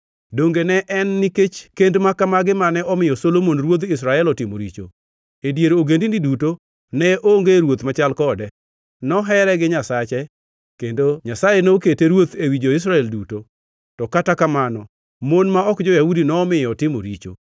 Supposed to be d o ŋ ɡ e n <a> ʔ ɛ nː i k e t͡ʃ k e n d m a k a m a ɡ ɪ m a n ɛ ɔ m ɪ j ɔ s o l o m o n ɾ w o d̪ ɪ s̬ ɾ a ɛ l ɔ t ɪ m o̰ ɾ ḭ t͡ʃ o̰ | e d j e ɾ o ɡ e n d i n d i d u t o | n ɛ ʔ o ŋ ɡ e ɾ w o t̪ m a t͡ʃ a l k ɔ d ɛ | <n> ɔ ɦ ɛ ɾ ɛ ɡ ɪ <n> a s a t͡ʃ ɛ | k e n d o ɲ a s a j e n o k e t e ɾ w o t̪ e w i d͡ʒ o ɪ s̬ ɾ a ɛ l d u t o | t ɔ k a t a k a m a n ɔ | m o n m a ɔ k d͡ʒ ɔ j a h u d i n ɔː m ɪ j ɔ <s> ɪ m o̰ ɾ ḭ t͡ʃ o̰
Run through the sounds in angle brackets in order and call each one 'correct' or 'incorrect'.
incorrect: ɛ, correct, incorrect: ɲ, incorrect: t

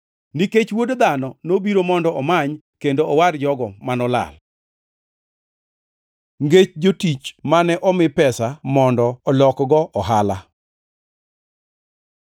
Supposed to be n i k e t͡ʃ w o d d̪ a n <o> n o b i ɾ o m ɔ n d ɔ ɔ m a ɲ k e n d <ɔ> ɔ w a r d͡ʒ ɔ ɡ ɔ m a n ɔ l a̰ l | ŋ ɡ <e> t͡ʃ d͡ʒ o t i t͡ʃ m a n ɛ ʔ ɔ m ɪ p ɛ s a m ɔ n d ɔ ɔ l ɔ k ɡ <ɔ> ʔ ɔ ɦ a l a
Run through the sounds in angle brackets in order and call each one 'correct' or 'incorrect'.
incorrect: ɔ, incorrect: o, correct, correct

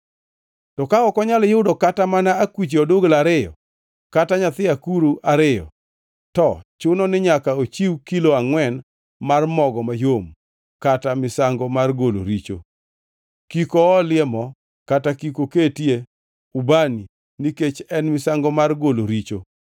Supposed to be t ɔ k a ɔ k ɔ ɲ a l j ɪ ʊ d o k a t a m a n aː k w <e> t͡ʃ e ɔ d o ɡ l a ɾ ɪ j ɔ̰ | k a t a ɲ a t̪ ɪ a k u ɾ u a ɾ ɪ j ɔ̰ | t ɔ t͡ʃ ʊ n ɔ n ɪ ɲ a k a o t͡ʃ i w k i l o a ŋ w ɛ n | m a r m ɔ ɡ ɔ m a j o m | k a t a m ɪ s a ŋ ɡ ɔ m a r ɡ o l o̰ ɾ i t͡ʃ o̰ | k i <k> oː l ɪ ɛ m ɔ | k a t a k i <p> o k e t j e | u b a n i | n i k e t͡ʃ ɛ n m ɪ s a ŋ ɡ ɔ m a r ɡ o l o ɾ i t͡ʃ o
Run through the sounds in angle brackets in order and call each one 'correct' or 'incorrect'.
incorrect: i, correct, incorrect: k

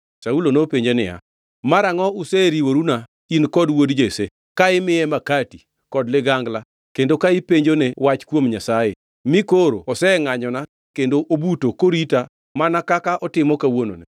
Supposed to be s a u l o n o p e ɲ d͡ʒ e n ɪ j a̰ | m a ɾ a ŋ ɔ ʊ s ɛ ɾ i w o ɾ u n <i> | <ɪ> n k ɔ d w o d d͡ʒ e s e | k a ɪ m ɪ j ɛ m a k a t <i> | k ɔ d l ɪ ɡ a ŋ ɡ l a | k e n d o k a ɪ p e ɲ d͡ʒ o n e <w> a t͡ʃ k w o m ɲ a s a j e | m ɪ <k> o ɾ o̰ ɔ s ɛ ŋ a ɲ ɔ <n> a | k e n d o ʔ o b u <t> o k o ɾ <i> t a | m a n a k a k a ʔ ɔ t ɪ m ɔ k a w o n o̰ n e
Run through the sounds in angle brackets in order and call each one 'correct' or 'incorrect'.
incorrect: a, incorrect: i, correct, correct, correct, correct, correct, correct

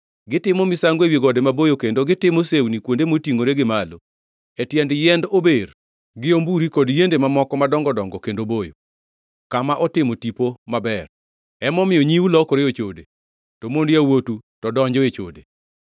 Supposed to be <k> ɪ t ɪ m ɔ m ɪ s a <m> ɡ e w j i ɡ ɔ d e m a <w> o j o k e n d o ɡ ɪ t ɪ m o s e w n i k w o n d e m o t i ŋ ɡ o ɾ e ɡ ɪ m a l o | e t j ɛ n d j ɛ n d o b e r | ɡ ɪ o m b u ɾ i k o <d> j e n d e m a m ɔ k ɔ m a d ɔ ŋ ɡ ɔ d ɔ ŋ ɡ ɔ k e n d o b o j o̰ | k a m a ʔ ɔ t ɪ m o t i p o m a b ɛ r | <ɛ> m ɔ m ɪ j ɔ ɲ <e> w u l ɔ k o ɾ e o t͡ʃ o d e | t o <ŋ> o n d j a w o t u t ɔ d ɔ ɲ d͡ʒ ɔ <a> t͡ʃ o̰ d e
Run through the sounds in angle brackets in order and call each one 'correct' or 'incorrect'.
incorrect: ɡ, incorrect: ŋ, incorrect: b, correct, correct, incorrect: i, incorrect: m, incorrect: e

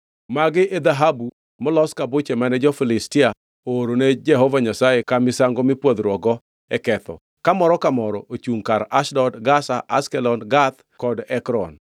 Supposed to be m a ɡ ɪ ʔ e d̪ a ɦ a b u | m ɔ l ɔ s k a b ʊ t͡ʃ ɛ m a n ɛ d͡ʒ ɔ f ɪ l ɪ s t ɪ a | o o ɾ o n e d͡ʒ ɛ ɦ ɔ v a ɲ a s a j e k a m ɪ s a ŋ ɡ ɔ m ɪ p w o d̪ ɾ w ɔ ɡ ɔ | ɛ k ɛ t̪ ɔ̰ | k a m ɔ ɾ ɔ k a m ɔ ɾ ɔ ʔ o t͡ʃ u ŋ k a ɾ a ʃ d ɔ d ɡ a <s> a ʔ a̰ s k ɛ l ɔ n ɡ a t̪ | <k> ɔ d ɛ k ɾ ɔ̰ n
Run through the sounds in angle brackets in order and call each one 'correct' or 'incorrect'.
correct, correct

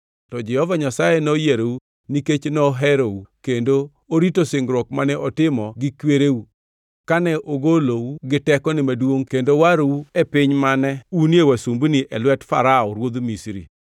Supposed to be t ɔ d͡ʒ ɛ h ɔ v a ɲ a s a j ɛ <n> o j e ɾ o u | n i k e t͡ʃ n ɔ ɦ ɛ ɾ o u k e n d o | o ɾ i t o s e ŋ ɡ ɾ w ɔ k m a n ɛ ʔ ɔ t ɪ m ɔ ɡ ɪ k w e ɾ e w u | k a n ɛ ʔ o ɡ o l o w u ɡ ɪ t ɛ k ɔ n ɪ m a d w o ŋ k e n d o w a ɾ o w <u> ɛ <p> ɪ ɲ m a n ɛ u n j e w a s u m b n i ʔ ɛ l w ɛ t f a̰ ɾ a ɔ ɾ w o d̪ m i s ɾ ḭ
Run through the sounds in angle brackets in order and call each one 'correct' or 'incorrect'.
correct, correct, correct

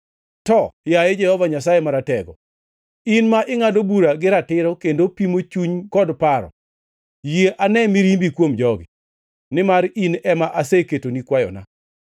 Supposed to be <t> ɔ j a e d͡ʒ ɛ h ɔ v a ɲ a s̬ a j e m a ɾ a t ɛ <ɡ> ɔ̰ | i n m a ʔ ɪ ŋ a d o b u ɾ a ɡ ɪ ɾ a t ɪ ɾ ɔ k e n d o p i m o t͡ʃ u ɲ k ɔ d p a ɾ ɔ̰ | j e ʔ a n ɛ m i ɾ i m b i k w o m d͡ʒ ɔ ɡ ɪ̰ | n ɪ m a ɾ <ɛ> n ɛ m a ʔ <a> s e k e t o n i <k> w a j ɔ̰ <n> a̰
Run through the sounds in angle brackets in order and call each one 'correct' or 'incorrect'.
correct, correct, incorrect: i, correct, correct, correct

